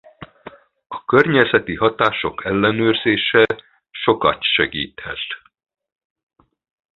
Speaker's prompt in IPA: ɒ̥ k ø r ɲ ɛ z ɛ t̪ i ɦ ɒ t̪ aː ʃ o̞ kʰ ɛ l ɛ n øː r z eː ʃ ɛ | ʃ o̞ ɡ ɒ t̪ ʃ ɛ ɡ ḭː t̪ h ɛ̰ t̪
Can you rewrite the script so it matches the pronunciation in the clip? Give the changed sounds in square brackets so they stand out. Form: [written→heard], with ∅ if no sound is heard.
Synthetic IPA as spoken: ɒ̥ k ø r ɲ ɛ z ɛ t̪ i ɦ ɒ t̪ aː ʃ o̞ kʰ ɛ [l→lː] ɛ n øː r z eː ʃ ɛ | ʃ o̞ [ɡ→k] ɒ t̪ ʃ ɛ ɡ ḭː t̪ h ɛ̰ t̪